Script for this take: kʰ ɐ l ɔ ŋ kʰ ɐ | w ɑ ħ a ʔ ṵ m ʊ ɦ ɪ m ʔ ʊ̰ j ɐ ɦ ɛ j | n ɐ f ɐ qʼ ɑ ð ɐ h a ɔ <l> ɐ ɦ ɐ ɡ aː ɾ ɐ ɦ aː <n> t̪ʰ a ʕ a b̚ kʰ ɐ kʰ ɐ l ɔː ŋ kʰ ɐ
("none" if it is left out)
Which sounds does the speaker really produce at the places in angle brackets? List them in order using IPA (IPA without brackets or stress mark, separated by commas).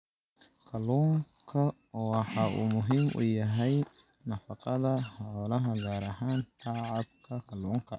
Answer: l, n